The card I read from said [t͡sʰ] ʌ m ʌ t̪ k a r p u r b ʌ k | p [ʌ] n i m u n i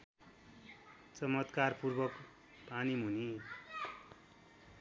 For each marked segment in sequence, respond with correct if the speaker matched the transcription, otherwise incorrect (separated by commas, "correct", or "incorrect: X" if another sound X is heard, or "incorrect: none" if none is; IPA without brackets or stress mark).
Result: incorrect: t͡s, incorrect: a